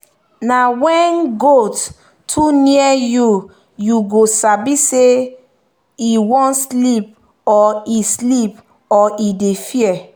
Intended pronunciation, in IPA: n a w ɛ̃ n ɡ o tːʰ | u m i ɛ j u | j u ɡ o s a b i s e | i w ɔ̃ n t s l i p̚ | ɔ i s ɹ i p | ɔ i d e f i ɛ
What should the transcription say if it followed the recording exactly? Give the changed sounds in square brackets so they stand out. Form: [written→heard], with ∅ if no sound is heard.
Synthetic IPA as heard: n a w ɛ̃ n ɡ o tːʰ | u [m→n] i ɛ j u | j u ɡ o s a b i s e | i w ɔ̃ n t s l i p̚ | ɔ i s [ɹ→l] i p | ɔ i d e f i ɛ